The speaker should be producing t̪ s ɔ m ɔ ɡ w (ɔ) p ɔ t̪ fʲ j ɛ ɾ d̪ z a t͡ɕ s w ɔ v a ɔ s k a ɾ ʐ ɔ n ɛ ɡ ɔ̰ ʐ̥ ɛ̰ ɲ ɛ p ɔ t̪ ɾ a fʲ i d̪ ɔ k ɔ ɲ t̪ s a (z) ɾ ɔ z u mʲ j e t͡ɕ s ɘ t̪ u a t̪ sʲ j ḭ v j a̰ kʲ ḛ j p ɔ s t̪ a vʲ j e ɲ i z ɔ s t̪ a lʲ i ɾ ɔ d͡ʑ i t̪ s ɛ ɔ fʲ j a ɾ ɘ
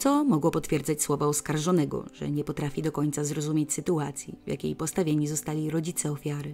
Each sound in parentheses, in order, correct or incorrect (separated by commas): correct, correct